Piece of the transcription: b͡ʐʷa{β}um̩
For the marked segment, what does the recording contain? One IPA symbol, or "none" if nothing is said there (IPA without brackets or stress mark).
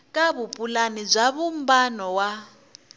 β